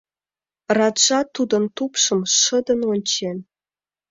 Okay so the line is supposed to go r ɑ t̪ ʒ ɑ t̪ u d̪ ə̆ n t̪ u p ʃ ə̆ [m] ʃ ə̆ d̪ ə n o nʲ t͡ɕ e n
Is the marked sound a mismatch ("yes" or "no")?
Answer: no